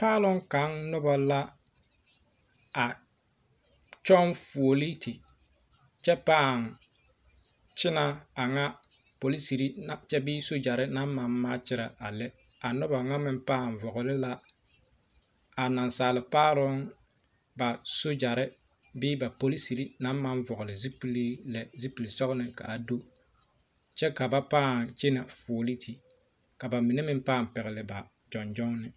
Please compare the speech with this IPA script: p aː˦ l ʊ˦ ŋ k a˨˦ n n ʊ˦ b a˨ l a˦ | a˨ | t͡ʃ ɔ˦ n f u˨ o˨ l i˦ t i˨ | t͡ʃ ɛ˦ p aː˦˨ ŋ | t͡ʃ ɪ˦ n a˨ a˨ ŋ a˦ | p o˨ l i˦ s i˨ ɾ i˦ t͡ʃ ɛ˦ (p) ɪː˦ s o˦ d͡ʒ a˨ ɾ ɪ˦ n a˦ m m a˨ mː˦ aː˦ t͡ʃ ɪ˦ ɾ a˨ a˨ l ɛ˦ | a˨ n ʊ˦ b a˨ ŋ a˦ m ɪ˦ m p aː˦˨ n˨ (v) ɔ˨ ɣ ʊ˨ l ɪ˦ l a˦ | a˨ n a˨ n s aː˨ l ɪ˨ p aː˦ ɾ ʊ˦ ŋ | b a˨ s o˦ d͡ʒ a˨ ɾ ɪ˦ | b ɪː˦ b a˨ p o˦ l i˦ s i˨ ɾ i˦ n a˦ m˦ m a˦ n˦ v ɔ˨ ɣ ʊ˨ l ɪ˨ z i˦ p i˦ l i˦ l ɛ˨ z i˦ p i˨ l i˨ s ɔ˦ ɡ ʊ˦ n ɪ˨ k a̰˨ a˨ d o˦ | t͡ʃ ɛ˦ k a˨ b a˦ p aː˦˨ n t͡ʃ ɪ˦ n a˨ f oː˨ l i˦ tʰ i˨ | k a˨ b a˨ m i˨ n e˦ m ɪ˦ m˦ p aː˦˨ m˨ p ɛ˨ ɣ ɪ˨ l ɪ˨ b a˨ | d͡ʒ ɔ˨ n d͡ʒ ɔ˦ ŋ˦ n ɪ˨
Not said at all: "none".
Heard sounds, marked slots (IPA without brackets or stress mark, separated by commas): b, v